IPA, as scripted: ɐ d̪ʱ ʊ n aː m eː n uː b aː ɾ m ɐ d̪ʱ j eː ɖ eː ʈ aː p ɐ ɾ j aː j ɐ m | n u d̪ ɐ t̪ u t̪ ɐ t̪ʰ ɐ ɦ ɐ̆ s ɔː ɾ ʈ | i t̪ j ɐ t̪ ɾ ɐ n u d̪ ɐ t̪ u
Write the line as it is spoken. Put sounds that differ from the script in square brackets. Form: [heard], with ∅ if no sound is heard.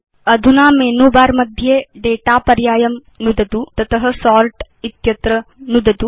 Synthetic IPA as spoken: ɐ d̪ʱ [u] n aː m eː n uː b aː ɾ m ɐ d̪ʱ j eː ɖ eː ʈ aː p ɐ ɾ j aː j ɐ m | n u d̪ ɐ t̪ u t̪ ɐ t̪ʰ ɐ ɦ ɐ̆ s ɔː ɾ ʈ | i t̪ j ɐ t̪ ɾ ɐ n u d̪ ɐ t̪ u